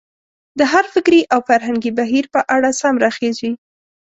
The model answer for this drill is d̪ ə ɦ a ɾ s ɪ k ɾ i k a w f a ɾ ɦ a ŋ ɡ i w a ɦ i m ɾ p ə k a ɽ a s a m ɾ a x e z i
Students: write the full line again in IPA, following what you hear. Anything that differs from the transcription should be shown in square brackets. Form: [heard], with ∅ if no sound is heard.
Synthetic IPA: d̪ ə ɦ a ɾ [f] ɪ k ɾ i [ʔ] a w f a ɾ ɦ a ŋ ɡ i [b] a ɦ i [∅] ɾ p ə [ʔ] a ɽ a s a m ɾ a x e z i

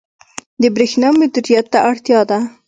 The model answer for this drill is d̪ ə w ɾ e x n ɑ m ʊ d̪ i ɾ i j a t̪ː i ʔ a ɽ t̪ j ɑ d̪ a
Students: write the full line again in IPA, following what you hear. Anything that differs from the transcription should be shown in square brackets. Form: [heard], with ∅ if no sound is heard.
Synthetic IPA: d̪ ə [b] ɾ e x n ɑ m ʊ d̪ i ɾ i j a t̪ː [a] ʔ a ɽ t̪ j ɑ d̪ a

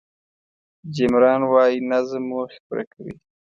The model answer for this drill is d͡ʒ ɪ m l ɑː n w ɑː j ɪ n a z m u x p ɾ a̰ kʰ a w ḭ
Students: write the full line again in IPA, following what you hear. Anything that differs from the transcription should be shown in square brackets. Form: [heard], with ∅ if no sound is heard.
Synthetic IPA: d͡ʒ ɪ m [ɾ] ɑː n w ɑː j [i] n a z m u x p ɾ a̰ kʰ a w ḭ

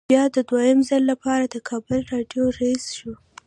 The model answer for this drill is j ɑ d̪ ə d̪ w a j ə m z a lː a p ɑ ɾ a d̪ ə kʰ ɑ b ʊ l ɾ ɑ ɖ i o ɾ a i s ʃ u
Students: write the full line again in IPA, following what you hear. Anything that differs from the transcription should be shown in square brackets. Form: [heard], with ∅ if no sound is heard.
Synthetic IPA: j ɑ d̪ ə d̪ w a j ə m z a lː a p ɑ ɾ a d̪ ə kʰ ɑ b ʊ l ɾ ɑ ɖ [j] o ɾ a i s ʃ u

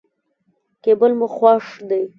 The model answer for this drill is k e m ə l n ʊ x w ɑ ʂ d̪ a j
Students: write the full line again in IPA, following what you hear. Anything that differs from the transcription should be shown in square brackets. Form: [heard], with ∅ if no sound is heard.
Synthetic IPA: k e [b] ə l [m] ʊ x w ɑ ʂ d̪ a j

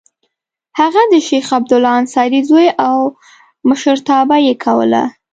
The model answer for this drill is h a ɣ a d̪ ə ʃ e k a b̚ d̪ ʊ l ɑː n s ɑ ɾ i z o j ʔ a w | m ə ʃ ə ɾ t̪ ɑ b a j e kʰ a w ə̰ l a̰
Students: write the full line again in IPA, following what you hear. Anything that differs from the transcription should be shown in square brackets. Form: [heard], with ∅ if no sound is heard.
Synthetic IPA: h a ɣ a d̪ ə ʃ e [x] a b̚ d̪ ʊ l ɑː n s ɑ ɾ i z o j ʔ a w | m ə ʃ ə ɾ t̪ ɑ b a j e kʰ a w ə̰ l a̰

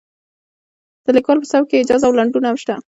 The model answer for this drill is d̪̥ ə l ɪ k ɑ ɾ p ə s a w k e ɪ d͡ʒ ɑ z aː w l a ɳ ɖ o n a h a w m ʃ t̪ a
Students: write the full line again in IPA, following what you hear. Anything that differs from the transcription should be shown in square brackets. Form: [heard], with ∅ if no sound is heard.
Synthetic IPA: d̪̥ ə l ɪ k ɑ [l] p ə s a w k e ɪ d͡ʒ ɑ z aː w l a ɳ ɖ [u] n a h a [∅] m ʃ t̪ a

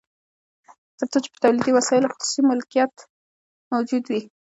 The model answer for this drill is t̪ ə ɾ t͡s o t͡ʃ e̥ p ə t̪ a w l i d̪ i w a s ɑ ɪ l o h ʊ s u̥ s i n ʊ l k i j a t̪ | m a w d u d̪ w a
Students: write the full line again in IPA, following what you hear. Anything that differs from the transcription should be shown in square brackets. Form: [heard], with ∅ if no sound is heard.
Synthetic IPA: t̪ ə ɾ t͡s o t͡ʃ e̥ p ə t̪ a w l i d̪ i w a s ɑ ɪ l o [x] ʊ s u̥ s i [m] ʊ l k i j a t̪ | m a w [d͡ʒ] u d̪ w [i]

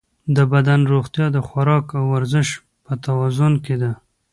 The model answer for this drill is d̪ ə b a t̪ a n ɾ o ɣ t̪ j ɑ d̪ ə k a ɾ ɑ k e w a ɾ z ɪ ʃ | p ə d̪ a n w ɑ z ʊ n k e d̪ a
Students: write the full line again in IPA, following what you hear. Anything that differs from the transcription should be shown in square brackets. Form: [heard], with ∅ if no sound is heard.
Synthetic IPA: d̪ ə b a [d̪] a n ɾ o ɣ t̪ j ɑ d̪ ə [x] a ɾ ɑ k [a] w a ɾ z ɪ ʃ | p ə [t̪] a [∅] w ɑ z ʊ n k e d̪ a

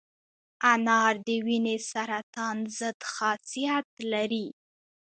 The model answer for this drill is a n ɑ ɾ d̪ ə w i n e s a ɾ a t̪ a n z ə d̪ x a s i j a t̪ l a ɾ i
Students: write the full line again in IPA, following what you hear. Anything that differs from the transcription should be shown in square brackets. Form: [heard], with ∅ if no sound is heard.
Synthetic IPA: a n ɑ ɾ d̪ ə w i n e s a ɾ a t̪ [ɑ] n z ə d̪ x [ɑ] s i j a t̪ l a ɾ i

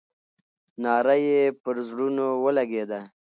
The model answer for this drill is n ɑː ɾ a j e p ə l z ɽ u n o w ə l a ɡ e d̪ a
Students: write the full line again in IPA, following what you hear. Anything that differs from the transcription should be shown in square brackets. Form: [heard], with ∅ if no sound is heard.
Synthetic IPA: n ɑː ɾ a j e p ə [ɾ] z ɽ u n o w ə l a ɡ e d̪ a

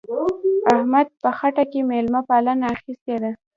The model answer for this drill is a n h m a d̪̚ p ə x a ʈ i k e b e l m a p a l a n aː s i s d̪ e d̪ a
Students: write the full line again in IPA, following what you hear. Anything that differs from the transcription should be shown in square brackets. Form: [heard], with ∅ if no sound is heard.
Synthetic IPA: a [∅] h m a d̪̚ p ə x a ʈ [a] k e [m] e l m a p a l a n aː [x] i s [t̪] e d̪ a

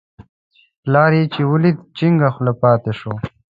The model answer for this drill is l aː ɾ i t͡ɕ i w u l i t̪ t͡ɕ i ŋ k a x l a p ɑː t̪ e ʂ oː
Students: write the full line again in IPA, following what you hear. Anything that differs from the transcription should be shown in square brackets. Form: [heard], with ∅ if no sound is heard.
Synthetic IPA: l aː ɾ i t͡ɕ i w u l i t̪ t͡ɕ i ŋ [ɡ] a x l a p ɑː t̪ e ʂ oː

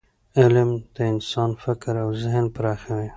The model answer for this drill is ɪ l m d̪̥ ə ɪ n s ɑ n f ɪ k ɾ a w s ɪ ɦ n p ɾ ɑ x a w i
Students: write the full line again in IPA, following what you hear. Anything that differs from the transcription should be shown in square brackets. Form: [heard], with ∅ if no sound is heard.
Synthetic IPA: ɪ l m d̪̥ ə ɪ n s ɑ n f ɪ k ɾ a w [z] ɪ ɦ n p ɾ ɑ x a w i

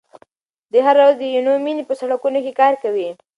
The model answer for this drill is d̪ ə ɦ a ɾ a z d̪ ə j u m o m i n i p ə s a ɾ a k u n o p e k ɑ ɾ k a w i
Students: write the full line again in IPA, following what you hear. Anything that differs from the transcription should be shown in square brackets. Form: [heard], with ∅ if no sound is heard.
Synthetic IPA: d̪ ə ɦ a ɾ a z d̪ ə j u [n] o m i n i p ə s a [ɽ] a k u n o [k] e k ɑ ɾ k a w i

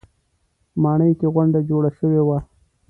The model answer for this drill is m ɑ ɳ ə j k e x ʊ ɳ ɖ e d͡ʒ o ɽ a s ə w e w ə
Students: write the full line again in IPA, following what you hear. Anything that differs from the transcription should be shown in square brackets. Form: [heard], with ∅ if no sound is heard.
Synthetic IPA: m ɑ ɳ ə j k e [ɣ] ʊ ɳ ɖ [a] d͡ʒ o ɽ a [ʃ] ə w e w [a]

